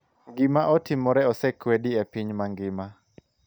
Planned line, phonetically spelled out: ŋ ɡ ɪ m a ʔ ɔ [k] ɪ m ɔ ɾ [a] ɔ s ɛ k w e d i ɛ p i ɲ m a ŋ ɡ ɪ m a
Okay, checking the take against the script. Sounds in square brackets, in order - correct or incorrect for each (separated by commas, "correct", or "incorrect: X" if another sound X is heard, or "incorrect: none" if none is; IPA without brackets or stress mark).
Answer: incorrect: t, incorrect: ɛ